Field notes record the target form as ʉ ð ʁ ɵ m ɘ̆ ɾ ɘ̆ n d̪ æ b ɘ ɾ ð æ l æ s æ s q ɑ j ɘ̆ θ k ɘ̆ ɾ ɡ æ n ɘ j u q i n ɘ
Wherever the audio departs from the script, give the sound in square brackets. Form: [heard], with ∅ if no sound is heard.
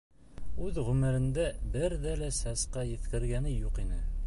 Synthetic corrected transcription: ʉ ð ʁ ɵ m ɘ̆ ɾ ɘ̆ n d̪ æ b ɘ ɾ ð æ l æ s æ s q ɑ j ɘ̆ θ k ɘ̆ ɾ ɡ æ n ɘ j u q i n ɘ